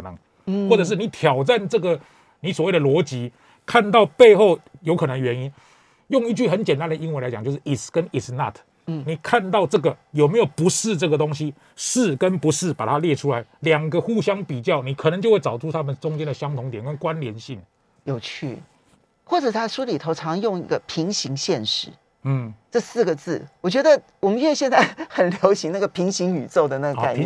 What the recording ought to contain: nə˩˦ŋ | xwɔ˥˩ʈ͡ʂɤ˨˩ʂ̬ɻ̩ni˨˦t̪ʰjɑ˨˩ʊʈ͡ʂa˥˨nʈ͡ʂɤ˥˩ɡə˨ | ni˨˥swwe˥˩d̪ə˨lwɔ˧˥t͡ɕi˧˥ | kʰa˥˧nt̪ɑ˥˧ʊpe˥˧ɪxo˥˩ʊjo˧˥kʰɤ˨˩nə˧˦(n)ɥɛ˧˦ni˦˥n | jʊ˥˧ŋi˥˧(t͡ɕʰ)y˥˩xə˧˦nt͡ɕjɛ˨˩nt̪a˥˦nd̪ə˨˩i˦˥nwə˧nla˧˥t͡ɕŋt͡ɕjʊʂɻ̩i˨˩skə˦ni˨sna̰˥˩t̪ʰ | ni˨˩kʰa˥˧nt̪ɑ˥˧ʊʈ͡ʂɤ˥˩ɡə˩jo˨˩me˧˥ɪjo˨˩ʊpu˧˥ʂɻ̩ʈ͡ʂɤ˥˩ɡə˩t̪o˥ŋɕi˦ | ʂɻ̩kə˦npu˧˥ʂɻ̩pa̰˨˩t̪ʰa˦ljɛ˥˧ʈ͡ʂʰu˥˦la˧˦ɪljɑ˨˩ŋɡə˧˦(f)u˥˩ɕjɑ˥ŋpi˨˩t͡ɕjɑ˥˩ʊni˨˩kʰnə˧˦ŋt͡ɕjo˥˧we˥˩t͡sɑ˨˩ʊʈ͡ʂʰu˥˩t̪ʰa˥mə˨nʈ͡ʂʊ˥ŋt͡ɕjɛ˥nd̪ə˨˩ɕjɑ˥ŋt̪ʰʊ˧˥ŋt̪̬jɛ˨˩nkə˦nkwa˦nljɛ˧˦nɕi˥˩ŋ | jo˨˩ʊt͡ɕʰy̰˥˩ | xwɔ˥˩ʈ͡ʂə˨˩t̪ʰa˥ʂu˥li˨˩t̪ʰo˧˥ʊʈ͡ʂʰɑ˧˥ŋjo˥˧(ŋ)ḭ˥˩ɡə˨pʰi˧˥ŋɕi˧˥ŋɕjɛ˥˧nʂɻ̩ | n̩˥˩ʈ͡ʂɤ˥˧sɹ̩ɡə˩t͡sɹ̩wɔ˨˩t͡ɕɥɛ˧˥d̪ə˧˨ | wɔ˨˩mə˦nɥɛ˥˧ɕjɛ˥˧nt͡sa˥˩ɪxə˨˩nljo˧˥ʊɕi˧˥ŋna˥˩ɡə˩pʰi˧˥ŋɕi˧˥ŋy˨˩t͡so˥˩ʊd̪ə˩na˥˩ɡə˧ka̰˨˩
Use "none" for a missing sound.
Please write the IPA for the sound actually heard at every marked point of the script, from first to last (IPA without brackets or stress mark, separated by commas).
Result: ŋ, t͡ɕ, x, ŋ